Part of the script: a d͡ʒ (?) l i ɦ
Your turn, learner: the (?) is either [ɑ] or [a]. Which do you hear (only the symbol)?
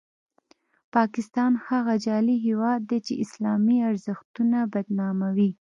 ɑ